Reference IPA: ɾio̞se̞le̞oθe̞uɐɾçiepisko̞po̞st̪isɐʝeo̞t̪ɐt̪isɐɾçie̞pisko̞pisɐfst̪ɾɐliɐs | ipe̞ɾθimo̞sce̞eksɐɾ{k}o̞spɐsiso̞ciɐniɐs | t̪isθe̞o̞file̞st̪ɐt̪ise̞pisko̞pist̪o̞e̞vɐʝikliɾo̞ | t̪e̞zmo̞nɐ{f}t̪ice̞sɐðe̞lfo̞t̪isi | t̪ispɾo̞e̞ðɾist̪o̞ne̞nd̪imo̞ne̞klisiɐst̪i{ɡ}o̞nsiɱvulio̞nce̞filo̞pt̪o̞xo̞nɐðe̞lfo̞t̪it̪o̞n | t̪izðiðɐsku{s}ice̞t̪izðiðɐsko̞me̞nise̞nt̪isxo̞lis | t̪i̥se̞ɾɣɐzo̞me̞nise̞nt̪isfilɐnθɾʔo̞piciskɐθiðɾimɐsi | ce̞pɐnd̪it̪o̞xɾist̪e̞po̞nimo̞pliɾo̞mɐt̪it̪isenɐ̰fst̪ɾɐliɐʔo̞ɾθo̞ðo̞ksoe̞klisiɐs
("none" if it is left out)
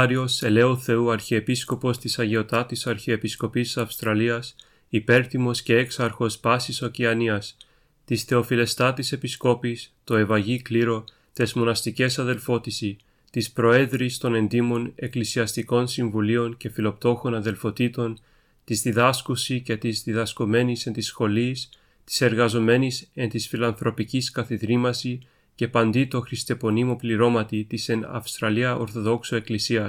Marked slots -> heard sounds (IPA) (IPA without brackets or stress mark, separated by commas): x, s, k, s